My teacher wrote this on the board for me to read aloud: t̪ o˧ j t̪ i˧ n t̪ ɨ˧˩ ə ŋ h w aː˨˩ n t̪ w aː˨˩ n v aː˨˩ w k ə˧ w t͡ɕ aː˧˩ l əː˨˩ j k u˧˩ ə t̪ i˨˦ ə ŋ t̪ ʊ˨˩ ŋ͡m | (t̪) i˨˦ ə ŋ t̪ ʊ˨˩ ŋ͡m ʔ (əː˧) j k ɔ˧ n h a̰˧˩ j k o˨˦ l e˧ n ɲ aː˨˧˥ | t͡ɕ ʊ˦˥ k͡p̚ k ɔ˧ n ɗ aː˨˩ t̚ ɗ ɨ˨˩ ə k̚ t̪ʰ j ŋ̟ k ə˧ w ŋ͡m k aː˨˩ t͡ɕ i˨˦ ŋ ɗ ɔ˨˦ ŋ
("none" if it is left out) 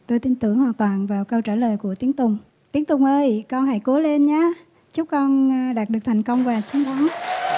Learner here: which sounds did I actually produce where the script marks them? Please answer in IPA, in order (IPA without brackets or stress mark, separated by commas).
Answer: t̪, əː˧